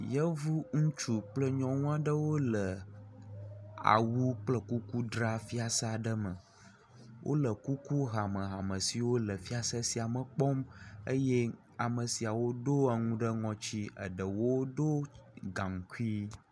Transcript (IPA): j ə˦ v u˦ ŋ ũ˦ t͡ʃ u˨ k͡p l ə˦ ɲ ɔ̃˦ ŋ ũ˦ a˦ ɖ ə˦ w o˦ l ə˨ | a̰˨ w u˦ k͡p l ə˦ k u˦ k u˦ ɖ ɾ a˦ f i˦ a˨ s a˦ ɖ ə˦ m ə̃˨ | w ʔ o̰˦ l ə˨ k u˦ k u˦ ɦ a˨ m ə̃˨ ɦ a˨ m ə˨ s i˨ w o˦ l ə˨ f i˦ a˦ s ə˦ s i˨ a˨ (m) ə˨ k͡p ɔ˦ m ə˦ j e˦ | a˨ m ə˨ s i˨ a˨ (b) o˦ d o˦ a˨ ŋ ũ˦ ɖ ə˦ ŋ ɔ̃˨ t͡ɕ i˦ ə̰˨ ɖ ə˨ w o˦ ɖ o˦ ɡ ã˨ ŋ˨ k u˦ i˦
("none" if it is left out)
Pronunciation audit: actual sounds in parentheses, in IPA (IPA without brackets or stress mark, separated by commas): m, w